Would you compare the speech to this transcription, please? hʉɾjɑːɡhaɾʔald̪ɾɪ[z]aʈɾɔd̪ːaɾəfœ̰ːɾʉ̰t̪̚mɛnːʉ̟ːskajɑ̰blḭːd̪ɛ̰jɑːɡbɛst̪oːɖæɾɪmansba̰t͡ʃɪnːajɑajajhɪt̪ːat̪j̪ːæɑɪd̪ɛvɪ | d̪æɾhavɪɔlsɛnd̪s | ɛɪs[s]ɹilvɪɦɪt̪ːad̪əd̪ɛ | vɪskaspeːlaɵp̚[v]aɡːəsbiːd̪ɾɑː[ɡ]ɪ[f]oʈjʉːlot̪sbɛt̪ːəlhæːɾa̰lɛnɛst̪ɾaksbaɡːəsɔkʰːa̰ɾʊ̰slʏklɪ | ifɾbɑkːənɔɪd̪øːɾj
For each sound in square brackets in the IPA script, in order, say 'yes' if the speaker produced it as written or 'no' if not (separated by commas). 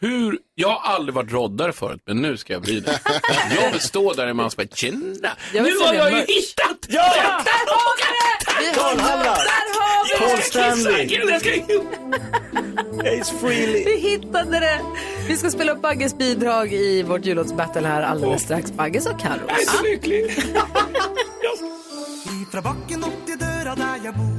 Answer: no, no, no, yes, no